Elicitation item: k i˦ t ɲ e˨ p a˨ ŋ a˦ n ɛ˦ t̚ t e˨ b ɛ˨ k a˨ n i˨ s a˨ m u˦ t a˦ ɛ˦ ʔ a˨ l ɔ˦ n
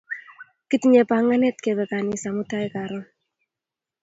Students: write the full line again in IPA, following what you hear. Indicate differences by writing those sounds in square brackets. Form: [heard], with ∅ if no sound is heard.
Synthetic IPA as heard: k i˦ t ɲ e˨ p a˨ ŋ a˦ n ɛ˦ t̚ [k] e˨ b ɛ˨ k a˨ n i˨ s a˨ m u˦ t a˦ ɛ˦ [k] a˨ [ɾ] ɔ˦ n